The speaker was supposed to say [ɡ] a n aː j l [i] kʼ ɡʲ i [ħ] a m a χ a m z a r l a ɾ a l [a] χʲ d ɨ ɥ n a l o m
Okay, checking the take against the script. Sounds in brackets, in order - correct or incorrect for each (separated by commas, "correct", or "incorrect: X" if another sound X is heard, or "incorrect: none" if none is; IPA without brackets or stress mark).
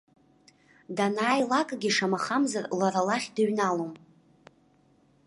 incorrect: d, incorrect: a, incorrect: ʂ, correct